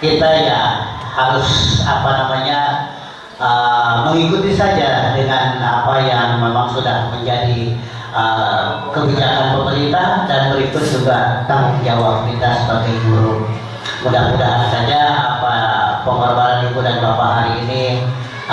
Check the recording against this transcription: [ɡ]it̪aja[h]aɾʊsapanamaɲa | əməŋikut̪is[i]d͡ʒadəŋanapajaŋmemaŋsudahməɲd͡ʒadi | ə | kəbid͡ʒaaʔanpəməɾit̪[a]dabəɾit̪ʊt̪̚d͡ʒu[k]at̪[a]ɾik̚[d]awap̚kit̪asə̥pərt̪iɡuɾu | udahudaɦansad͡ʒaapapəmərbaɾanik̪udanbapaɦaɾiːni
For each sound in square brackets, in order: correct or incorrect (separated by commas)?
incorrect, correct, incorrect, correct, incorrect, correct, incorrect